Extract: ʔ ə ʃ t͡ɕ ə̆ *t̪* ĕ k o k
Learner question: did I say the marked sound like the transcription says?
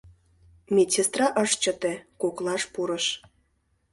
yes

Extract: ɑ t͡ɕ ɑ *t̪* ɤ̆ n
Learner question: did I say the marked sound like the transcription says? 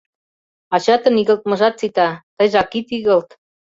yes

